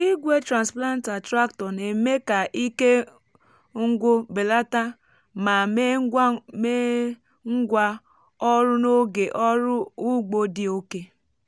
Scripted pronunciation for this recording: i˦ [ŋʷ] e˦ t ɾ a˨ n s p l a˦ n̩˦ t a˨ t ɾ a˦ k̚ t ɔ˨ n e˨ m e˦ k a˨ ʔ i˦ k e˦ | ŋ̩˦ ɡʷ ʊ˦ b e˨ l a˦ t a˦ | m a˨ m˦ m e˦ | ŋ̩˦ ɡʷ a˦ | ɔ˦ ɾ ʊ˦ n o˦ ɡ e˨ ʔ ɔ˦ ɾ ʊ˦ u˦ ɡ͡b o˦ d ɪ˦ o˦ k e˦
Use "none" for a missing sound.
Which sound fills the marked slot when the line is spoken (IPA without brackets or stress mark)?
ɡʷ